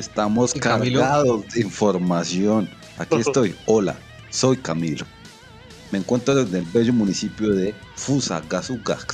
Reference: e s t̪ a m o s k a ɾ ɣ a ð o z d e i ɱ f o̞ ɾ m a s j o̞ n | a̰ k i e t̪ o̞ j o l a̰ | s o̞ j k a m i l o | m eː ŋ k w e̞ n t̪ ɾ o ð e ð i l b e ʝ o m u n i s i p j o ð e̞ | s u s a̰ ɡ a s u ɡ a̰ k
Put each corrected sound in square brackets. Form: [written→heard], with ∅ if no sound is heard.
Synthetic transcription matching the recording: e s t̪ a m o s k a ɾ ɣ a ð o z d e i ɱ f o̞ ɾ m a s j o̞ n | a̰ k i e t̪ o̞ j o l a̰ | s o̞ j k a m i l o | m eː ŋ k w e̞ n t̪ ɾ o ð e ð [i→e] l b e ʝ o m u n i s i p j o ð e̞ | [s→f] u s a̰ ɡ a s u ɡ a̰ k